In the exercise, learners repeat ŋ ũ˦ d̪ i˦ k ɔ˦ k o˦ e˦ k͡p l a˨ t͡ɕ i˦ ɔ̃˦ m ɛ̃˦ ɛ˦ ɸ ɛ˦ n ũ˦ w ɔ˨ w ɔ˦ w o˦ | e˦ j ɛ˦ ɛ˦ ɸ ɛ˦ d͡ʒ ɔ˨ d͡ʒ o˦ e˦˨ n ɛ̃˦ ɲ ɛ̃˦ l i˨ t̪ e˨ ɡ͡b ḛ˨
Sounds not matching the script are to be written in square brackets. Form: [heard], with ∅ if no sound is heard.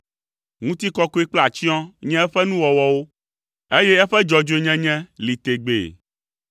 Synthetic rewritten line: ŋ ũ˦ [t̪] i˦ k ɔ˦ k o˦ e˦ k͡p l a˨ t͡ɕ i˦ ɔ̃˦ [ɲ] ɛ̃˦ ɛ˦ ɸ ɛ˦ n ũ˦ w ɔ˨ w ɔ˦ w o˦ | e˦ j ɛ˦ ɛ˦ ɸ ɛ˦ d͡ʒ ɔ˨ d͡ʒ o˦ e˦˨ [ɲ] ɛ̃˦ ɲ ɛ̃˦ l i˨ t̪ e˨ ɡ͡b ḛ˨